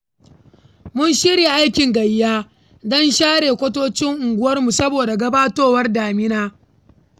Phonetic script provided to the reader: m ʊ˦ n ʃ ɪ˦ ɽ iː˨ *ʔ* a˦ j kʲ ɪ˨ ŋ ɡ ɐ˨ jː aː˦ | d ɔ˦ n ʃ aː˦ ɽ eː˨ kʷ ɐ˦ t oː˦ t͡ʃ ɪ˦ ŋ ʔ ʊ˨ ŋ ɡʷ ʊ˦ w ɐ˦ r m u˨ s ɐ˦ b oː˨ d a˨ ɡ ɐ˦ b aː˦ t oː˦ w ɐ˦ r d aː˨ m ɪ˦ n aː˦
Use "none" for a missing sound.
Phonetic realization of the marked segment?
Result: ʔ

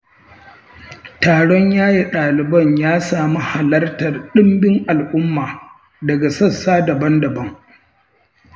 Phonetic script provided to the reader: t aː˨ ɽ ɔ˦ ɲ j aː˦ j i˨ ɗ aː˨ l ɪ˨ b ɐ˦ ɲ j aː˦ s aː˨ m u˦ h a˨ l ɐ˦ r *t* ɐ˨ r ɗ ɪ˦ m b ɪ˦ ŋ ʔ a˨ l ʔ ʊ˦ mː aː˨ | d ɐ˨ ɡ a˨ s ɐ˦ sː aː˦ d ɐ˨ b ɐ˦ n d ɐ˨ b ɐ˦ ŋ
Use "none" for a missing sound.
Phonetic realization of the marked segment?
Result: t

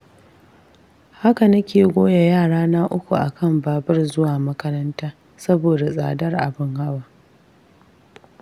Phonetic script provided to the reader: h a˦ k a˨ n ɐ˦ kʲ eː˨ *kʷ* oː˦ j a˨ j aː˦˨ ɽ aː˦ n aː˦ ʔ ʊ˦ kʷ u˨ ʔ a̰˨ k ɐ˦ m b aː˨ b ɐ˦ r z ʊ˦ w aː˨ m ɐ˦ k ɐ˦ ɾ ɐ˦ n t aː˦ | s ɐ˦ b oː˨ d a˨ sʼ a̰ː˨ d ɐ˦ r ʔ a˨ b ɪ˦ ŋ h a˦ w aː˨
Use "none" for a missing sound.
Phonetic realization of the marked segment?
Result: ɡʷ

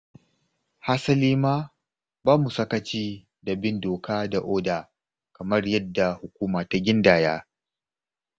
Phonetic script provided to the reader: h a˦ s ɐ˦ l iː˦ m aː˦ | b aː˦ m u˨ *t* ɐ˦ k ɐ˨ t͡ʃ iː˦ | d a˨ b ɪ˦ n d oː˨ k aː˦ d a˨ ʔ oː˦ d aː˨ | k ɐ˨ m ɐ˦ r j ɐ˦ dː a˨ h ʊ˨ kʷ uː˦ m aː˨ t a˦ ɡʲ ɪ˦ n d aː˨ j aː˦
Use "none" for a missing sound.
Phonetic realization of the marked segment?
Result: s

